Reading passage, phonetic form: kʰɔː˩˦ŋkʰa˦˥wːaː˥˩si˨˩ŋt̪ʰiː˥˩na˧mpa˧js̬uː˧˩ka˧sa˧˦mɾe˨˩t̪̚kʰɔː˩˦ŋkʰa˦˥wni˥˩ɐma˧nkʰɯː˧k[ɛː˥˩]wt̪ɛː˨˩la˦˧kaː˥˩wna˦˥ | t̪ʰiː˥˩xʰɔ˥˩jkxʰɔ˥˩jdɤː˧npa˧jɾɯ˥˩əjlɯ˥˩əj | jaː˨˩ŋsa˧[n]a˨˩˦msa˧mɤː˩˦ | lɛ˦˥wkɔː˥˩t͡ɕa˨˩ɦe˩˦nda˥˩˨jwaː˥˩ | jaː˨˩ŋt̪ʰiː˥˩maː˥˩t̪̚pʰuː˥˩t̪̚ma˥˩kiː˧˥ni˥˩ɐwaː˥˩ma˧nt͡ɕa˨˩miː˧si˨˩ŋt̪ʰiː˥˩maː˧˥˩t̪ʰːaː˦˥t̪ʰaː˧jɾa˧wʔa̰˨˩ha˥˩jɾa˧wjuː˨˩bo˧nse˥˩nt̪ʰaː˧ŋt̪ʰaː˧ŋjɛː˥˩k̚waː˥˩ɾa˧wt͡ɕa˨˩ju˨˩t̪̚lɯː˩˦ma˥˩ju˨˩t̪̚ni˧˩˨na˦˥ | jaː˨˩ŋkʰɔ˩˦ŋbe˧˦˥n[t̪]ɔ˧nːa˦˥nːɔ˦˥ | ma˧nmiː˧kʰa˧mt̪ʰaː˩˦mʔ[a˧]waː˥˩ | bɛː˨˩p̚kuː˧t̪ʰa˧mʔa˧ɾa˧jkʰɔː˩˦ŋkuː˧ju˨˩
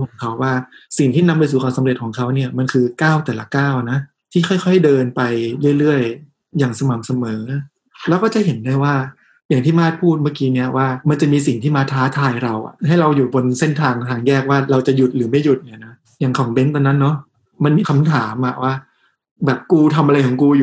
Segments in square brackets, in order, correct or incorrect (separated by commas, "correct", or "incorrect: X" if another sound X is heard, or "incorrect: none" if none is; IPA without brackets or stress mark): incorrect: aː˥˩, incorrect: m, correct, incorrect: a˨˩